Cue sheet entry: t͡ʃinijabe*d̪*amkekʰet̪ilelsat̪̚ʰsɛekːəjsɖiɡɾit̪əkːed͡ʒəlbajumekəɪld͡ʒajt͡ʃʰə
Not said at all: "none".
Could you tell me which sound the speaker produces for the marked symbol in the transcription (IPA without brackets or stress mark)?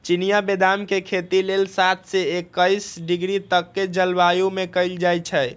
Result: d̪